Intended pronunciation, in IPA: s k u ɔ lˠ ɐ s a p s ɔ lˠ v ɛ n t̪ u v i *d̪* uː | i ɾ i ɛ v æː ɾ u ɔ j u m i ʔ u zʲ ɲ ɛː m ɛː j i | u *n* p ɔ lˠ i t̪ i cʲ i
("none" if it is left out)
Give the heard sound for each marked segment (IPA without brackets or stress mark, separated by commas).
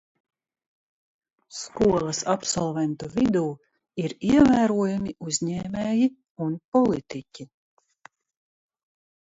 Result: d̪, n